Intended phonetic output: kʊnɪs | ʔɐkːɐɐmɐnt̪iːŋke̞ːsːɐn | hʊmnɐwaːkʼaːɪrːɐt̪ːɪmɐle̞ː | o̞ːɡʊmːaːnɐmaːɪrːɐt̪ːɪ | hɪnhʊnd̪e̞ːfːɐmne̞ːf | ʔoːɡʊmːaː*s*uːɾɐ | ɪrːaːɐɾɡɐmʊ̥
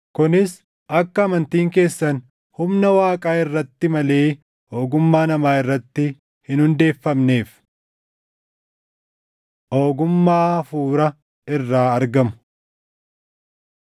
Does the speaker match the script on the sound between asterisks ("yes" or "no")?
no